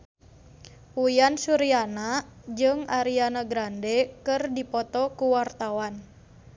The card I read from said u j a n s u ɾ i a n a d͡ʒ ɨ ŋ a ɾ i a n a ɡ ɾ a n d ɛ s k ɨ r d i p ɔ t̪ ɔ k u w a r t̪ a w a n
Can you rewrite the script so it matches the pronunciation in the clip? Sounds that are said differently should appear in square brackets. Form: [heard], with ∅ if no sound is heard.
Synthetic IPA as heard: u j a n s u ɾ i a n a d͡ʒ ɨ ŋ a ɾ i a n a ɡ ɾ a n d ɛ [∅] k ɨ r d i p ɔ t̪ ɔ k u w a r t̪ a w a n